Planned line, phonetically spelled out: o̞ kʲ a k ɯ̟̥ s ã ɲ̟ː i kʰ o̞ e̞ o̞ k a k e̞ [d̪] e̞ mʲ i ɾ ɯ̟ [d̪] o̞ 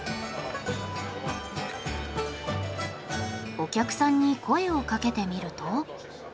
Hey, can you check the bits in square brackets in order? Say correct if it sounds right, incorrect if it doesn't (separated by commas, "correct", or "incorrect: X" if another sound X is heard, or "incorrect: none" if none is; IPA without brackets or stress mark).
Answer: incorrect: t̪, incorrect: t̪